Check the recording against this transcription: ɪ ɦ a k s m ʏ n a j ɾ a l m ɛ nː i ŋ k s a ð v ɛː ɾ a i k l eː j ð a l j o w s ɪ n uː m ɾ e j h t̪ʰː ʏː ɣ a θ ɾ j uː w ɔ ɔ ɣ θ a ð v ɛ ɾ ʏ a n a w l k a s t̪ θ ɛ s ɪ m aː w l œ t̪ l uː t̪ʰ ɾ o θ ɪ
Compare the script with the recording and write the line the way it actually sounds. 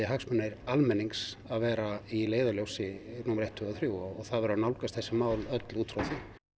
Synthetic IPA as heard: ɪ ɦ a k s m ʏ n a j ɾ a l m ɛ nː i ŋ k s a ð v ɛː ɾ a i l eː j ð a l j o w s ɪ n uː m ɾ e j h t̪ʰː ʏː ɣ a θ ɾ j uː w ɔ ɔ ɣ θ a ð v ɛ ɾ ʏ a n a w l k a s t̪ θ ɛ s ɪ m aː w l œ t̪ l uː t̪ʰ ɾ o θ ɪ

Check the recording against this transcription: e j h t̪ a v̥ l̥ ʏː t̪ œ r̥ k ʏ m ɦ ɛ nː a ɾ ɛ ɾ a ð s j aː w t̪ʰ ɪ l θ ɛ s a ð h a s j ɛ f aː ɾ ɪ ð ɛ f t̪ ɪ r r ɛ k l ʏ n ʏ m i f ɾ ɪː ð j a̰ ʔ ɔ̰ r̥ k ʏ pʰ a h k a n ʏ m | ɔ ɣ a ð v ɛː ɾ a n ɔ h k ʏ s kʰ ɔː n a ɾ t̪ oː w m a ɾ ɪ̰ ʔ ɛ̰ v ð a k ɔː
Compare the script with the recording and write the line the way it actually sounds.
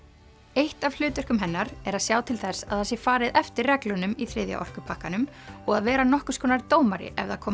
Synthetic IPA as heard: e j h t̪ a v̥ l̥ ʏː t̪ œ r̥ k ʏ m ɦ ɛ nː a ɾ ɛ ɾ a ð s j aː w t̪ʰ ɪ l θ ɛ s a ð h a s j ɛ f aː ɾ ɪ ð ɛ f t̪ ɪ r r ɛ k l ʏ n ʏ m i θ ɾ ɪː ð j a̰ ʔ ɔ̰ r̥ k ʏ pʰ a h k a n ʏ m | ɔ ɣ a ð v ɛː ɾ a n ɔ h k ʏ s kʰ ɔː n a ɾ t̪ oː w m a ɾ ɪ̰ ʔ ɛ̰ v ð a kʰ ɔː

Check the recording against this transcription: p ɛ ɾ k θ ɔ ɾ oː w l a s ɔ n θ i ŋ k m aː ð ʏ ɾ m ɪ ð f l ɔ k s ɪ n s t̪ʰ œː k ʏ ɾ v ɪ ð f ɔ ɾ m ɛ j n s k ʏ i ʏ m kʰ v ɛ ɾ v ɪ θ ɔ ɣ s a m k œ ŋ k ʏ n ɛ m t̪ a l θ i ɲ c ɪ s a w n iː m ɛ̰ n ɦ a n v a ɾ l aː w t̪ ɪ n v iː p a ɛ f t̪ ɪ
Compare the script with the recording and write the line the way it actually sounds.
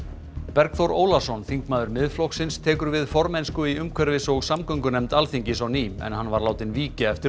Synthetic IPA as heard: p ɛ ɾ k θ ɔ ɾ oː w l a s ɔ n θ i ŋ k m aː ð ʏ ɾ m ɪ ð f l ɔ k s ɪ n s t̪ʰ ɛː k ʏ ɾ v ɪ ð f ɔ ɾ m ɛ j n s k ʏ i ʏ m kʰ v ɛ ɾ v ɪ s ɔ ɣ s a m k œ ŋ k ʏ n ɛ m t̪ a l θ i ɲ c ɪ s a w n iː m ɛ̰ n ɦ a n v a ɾ l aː w t̪ ɪ n v iː c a ɛ f t̪ ɪ

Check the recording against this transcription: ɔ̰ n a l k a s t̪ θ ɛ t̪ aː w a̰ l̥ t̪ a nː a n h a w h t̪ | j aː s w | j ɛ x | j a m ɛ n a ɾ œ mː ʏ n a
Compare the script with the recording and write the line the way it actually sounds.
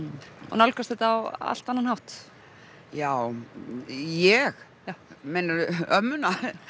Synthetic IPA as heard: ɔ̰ n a l k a s t̪ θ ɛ t̪ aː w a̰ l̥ t̪ a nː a n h a w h t̪ | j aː w | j ɛ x | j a m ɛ n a ɾ œ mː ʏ n a

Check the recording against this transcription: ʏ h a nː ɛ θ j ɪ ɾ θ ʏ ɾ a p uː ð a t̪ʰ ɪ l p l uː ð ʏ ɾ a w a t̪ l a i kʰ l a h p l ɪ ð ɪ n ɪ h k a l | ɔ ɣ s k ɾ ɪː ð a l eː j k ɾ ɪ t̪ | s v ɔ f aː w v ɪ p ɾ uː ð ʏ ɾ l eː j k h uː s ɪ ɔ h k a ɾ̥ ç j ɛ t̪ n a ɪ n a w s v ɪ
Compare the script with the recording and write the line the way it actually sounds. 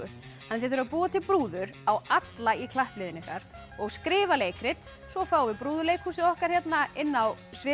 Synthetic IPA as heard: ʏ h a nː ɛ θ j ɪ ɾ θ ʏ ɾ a p uː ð a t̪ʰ ɪ l p ɾ uː ð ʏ ɾ a w a t̪ l a i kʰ l a h p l ɪ ð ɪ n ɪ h k a ɾ | ɔ ɣ s k ɾ ɪː v a l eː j k ɾ ɪ t̪ | s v ɔ f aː w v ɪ p ɾ uː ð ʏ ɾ l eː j k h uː s ɪ ɔ h k a ɾ̥ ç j ɛ t̪ n a ɪ nː a w s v ɪ

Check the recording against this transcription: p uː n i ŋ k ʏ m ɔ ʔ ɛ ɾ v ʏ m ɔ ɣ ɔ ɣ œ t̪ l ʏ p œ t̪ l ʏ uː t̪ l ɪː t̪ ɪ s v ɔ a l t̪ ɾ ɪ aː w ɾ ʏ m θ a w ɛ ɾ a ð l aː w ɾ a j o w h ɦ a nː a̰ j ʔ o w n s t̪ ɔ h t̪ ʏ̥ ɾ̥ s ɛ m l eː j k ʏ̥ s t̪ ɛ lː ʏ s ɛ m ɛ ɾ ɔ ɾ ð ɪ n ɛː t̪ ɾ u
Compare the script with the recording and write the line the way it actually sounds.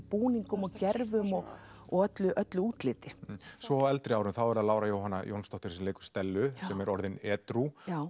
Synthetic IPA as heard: p uː n i ŋ k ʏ m ɔ c ɛ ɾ v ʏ m ɔ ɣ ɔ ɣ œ t̪ l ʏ ʔ œ t̪ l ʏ uː t̪ l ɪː t̪ ɪ s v ɔ ɛ l t̪ ɾ ɪ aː w ɾ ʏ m θ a w ɛ ɾ a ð l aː w ɾ a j o w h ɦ a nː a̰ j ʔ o w n s t̪ ɔ h t̪ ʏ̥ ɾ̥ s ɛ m l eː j k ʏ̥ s t̪ ɛ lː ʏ s ɛ m ɛ ɾ ɔ ɾ ð ɪ n ɛː t̪ ɾ u

